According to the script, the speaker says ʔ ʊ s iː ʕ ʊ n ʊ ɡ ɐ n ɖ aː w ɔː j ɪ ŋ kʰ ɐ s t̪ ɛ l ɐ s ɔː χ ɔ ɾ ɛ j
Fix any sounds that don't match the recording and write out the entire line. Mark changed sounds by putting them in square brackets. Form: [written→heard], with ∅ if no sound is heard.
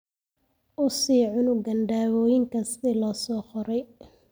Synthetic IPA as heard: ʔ ʊ s iː ʕ ʊ n ʊ ɡ ɐ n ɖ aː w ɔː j ɪ ŋ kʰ ɐ s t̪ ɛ l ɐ s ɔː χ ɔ ɾ ɛ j